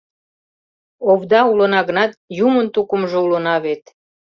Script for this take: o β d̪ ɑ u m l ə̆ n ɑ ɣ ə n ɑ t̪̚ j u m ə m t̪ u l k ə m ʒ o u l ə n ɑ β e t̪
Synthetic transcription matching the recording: o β d̪ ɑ u l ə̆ n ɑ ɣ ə n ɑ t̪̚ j u m ə n t̪ u k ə m ʒ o u l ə n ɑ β e t̪